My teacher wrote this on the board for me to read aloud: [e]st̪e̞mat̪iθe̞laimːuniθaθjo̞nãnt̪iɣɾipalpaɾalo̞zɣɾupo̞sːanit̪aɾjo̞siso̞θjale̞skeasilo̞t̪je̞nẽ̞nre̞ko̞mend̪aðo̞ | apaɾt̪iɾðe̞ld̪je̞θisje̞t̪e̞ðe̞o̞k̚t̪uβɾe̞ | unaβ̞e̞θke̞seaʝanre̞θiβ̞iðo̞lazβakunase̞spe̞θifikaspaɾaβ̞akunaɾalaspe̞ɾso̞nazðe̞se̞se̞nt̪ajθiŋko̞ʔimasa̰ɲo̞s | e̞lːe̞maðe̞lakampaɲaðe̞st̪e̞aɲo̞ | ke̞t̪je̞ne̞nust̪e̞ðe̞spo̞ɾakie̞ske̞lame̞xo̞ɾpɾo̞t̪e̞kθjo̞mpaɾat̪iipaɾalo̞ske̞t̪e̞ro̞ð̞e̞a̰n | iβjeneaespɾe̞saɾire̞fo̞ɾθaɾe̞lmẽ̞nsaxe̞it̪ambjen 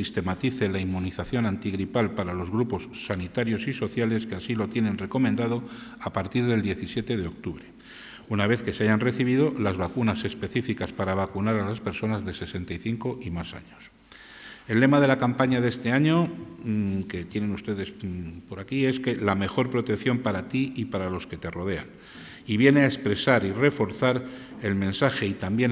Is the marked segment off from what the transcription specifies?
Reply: yes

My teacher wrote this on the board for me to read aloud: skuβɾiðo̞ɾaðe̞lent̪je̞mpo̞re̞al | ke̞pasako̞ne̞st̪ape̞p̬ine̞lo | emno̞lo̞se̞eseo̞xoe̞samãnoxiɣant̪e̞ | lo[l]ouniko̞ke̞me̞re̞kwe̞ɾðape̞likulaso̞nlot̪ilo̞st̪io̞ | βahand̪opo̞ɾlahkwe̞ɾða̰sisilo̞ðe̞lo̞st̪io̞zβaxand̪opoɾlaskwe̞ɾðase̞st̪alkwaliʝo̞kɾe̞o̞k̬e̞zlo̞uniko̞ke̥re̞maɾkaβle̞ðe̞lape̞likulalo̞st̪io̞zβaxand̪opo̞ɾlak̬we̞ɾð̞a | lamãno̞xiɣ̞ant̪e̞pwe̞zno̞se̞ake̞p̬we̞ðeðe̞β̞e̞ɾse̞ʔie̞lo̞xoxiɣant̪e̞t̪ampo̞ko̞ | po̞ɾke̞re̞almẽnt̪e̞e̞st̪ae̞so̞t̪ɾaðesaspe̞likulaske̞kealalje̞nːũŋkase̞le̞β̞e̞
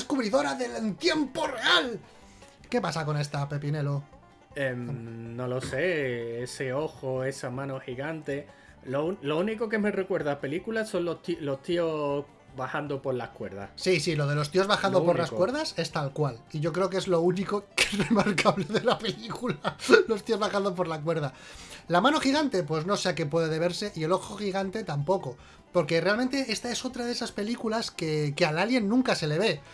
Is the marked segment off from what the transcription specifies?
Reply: no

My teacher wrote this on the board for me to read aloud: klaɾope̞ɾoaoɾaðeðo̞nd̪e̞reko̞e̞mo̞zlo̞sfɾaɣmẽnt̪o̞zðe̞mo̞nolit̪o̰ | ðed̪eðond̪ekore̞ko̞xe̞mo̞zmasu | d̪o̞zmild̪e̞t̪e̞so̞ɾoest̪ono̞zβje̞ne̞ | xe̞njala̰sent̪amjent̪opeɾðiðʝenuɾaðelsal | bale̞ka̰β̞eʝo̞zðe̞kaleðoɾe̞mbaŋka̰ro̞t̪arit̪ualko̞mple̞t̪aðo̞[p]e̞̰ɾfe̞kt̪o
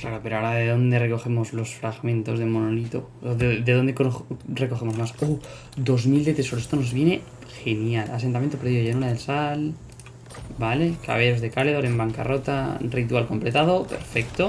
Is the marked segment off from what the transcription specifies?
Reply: no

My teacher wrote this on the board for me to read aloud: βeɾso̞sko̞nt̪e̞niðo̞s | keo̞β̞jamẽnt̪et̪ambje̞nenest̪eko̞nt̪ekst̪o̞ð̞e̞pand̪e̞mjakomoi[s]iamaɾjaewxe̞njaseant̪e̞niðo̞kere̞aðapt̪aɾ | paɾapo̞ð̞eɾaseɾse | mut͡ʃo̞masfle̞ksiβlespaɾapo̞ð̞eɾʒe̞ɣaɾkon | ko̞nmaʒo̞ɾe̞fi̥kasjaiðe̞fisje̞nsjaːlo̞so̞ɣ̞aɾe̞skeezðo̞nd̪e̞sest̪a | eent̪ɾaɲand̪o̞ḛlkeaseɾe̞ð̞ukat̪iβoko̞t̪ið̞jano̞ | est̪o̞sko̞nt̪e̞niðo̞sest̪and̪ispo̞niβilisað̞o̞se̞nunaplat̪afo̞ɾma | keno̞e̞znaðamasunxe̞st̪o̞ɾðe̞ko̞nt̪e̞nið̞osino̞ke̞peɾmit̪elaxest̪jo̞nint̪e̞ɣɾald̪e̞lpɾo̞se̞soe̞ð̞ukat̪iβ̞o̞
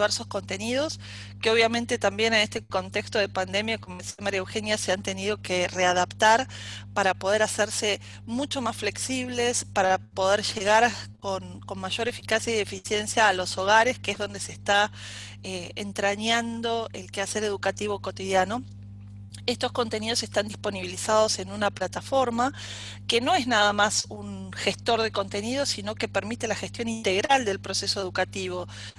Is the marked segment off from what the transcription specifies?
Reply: no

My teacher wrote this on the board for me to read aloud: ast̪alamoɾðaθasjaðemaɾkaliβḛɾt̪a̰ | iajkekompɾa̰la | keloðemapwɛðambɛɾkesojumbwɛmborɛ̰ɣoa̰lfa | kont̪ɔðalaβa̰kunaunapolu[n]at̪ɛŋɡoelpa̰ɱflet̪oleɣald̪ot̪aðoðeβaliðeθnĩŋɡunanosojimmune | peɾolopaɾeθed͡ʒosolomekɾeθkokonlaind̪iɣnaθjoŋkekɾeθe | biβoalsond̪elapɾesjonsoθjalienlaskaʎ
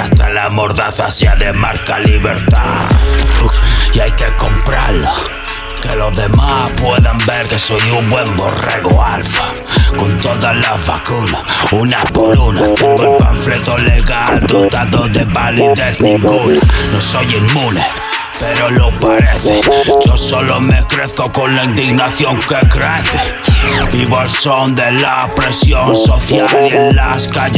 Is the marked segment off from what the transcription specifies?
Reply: no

